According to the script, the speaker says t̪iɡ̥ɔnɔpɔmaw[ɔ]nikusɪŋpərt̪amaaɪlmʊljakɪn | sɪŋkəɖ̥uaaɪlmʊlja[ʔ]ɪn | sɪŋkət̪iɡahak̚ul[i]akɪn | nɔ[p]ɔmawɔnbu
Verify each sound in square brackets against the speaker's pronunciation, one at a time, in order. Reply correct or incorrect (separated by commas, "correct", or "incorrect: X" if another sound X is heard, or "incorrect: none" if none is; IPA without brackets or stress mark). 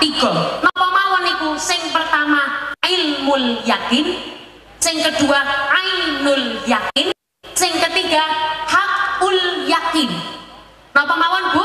correct, incorrect: k, incorrect: j, correct